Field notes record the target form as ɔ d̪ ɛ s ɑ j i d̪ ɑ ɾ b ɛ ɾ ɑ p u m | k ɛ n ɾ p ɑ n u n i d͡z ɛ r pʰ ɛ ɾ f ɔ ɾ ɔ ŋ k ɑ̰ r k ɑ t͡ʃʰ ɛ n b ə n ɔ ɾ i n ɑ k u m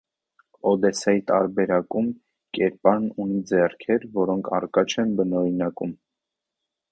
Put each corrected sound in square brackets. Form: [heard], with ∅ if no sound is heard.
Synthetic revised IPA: ɔ d̪ ɛ s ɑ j i [t̪] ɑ ɾ b ɛ ɾ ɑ [k] u m | k ɛ [∅] ɾ p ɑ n u n i d͡z ɛ r [kʰ] ɛ ɾ [v] ɔ ɾ ɔ ŋ [kʰ] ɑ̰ r k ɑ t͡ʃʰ ɛ n b ə n ɔ ɾ i n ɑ k u m